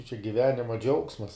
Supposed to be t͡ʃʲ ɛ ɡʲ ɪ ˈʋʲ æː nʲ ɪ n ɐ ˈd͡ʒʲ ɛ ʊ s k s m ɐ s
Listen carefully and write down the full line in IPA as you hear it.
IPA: t͡ʃʲ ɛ ɡʲ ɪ ˈʋʲ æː nʲ ɪ m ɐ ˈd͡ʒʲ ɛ ʊ k s m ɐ s